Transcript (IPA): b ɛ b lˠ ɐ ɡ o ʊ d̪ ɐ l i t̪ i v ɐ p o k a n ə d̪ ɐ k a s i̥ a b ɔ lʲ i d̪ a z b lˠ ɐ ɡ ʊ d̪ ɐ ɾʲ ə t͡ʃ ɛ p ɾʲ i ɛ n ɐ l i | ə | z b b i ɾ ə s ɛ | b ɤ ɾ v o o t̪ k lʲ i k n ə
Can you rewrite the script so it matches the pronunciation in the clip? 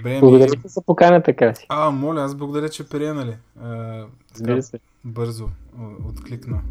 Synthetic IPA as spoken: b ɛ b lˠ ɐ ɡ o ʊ d̪ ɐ ɾ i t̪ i z ɐ p o k a n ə t̪ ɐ k a s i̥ a m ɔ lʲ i a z b lˠ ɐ ɡ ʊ d̪ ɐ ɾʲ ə t͡ʃ ɛ p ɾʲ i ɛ n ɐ l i | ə | z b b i ɾ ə s ɛ | b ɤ ɾ z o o t̪ k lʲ i k n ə